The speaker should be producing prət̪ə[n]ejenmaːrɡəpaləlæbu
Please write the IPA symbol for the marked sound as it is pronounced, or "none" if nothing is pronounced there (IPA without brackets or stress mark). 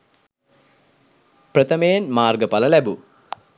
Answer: m